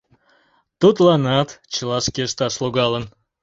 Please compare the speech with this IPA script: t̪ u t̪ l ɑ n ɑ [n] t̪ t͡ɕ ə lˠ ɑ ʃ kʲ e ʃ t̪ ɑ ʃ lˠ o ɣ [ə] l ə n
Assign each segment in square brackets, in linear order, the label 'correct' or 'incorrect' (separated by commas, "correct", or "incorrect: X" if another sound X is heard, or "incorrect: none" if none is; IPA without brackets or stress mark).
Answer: incorrect: none, incorrect: ɑ